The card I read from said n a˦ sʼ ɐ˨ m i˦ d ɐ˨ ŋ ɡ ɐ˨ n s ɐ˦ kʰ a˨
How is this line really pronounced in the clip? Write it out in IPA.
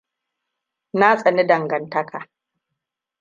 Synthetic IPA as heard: n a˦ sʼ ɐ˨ n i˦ d ɐ˨ ŋ ɡ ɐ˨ n t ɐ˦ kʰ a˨